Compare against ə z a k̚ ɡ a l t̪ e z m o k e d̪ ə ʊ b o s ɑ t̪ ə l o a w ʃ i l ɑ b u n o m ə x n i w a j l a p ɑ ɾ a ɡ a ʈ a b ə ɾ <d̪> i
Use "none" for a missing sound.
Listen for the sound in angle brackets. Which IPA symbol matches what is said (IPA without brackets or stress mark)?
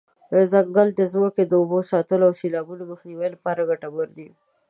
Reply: d̪